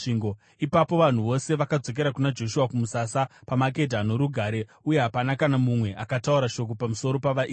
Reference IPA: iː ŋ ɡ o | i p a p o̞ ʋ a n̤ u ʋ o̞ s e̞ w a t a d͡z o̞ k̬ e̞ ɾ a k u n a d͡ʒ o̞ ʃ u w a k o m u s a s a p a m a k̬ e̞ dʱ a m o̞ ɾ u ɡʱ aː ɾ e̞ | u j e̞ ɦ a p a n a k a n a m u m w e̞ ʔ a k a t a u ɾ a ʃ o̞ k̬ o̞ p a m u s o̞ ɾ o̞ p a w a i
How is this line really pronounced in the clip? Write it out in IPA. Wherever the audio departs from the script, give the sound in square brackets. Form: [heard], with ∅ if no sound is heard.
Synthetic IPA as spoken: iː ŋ ɡ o | i p a p o̞ ʋ a n̤ u ʋ o̞ s e̞ [ʋ] a [k] a d͡z o̞ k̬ e̞ ɾ a k u n a d͡ʒ o̞ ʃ u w a k [u] m u s a s a p a m a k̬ e̞ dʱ a [n] o̞ ɾ u ɡʱ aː ɾ e̞ | u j e̞ ɦ a p a n a k a n a m u m w e̞ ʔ a k a t a u ɾ a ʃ o̞ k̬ o̞ p a m u s o̞ ɾ o̞ p a [ʋ] a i